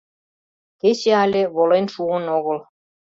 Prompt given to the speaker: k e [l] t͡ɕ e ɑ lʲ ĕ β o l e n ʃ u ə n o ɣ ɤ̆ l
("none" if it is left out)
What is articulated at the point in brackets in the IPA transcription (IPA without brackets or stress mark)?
none